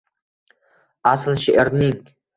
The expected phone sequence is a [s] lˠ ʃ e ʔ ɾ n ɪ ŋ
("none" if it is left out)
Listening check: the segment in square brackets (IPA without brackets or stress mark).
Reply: s